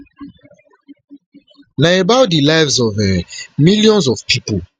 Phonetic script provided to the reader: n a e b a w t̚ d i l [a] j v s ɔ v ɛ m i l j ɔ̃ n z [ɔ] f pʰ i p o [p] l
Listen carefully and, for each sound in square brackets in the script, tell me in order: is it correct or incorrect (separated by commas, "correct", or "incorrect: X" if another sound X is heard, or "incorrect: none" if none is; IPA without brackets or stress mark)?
correct, correct, incorrect: none